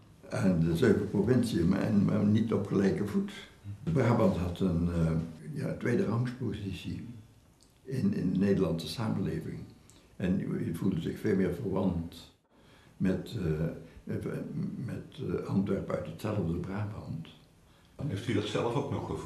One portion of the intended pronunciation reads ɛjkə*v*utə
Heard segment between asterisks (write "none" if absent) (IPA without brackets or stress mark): v